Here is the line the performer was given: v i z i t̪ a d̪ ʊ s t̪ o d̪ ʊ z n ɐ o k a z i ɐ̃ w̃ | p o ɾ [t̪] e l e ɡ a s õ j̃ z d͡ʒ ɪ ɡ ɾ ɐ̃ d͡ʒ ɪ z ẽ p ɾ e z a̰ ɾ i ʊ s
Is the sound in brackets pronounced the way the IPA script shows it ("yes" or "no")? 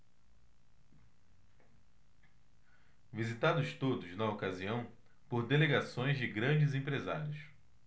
no